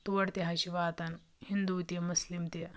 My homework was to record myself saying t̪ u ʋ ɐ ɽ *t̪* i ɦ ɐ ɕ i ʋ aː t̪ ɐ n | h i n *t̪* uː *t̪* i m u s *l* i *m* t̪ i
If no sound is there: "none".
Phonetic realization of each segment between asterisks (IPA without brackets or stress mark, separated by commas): t̪, d̪, t̪, l, m